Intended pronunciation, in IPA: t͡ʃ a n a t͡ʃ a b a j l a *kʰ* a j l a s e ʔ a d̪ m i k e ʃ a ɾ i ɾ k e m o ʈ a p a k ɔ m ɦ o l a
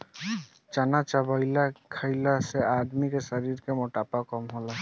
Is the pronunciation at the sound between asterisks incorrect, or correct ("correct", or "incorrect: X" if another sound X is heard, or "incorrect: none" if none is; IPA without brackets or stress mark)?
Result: correct